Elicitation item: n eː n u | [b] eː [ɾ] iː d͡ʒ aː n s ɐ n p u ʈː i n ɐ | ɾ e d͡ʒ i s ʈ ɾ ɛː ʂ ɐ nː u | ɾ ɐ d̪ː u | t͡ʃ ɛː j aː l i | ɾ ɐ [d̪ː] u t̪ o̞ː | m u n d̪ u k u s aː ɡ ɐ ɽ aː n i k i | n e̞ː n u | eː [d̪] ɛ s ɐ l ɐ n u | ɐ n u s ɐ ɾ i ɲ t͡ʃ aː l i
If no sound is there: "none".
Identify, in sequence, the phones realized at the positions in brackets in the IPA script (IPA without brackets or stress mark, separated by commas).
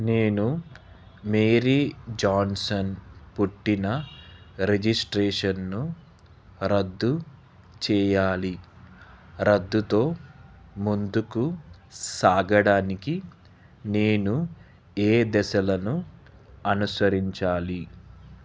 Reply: m, ɾ, d̪ː, d̪